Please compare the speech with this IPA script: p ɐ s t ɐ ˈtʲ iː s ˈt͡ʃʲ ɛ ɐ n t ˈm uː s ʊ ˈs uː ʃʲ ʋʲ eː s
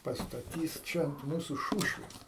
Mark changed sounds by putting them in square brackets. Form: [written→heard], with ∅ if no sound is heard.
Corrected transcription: p ɐ s t ɐ ˈtʲ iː s ˈt͡ʃʲ ɛ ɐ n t ˈm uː s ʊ [ˈs→ˈʃ] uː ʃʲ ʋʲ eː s